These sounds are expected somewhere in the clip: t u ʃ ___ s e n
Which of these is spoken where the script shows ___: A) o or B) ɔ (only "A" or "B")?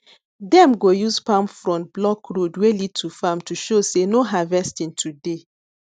A